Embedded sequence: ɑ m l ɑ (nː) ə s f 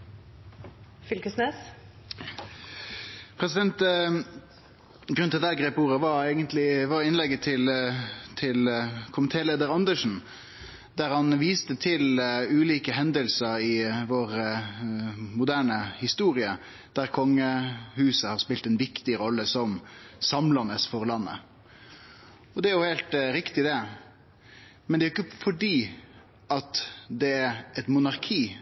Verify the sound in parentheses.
incorrect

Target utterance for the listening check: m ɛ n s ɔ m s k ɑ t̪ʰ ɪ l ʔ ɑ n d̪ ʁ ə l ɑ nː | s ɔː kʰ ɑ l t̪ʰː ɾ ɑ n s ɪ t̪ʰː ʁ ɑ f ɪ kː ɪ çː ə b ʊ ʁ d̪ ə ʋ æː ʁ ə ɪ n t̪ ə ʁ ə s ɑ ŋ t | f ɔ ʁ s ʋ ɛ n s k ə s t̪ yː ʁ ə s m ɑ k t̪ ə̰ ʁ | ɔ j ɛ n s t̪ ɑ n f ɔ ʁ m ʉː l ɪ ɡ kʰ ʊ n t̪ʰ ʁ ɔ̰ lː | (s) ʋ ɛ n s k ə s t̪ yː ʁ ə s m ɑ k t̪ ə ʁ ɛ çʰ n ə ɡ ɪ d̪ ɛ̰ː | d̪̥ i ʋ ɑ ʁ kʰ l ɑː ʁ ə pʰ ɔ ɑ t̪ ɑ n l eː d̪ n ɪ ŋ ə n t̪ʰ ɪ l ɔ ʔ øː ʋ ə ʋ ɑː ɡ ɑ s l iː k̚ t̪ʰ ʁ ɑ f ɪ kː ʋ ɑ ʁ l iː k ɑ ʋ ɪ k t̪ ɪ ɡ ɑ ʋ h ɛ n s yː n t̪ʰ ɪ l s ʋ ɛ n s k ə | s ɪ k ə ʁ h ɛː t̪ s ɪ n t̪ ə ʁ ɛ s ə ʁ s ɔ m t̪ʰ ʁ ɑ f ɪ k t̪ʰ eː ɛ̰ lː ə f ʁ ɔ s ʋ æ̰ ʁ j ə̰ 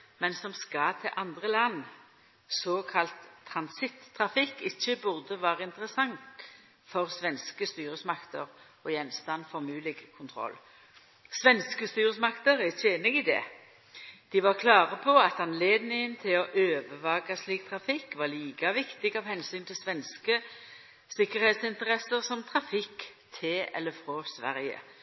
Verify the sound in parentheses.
correct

